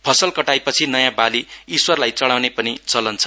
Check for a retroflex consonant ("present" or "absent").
present